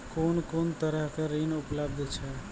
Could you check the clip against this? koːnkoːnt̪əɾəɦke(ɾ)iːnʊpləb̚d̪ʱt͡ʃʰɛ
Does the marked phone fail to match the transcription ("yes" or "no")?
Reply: no